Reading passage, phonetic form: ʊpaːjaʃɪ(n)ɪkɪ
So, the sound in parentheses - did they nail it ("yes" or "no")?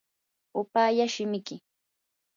no